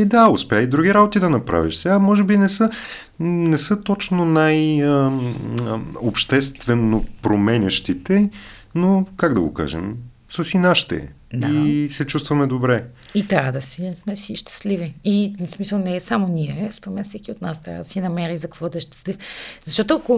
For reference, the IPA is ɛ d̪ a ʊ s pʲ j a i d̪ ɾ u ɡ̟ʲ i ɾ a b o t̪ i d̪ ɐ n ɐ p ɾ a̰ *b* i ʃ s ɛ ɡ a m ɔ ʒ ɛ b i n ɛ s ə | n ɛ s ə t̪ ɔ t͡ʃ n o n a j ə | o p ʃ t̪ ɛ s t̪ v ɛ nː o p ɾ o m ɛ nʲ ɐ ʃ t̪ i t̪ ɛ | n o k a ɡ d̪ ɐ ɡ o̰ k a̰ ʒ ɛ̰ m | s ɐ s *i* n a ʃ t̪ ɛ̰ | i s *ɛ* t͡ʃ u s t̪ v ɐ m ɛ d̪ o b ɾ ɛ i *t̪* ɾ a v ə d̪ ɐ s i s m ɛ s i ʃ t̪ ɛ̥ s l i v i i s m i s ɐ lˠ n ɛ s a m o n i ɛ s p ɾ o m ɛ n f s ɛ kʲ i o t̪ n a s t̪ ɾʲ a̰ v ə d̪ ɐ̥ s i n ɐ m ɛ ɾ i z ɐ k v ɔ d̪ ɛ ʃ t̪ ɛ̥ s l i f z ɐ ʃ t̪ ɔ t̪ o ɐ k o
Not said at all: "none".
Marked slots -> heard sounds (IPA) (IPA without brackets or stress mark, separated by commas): v, i, ɛ, t̪